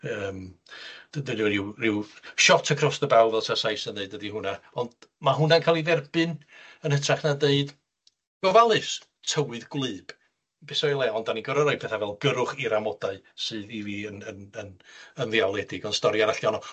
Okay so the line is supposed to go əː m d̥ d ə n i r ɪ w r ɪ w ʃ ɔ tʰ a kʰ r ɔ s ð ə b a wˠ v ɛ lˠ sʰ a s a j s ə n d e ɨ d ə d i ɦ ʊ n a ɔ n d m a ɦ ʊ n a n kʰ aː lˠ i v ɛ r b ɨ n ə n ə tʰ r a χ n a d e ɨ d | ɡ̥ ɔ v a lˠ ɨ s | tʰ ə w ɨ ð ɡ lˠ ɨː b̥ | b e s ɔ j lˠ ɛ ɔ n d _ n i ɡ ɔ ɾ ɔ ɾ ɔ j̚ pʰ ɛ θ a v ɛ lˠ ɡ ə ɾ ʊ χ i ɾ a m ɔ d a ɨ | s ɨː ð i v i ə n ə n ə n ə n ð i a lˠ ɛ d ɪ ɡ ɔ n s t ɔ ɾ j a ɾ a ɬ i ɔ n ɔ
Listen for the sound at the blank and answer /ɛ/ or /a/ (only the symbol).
a